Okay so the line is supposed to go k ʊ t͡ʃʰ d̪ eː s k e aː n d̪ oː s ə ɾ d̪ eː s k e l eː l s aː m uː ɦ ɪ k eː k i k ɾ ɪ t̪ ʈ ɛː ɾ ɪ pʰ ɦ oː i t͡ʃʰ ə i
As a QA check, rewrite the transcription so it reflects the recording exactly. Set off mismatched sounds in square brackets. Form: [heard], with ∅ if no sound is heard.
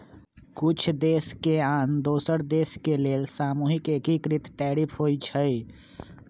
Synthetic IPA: k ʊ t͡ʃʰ d̪ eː s k e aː n d̪ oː s ə ɾ d̪ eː s k e l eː l s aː m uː ɦ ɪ k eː k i k ɾ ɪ t̪ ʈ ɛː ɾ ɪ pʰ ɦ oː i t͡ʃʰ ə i